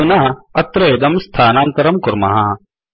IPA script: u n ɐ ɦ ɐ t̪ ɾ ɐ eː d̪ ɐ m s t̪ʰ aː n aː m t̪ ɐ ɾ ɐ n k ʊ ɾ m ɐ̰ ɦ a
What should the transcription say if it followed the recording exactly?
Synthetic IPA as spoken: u n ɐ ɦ ɐ t̪ ɾ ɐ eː d̪ ɐ m s t̪ʰ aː n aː n t̪ ɐ ɾ ɐ m k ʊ ɾ m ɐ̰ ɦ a